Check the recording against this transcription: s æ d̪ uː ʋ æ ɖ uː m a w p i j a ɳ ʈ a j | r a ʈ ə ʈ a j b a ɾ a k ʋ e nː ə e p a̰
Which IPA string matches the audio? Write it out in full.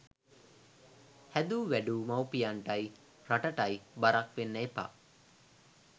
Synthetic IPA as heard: h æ d̪ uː ʋ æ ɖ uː m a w p i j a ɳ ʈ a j | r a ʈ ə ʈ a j b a ɾ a k ʋ e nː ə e p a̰